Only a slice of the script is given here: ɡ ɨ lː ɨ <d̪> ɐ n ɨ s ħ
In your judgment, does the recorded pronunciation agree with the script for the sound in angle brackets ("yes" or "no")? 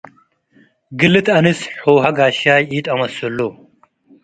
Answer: no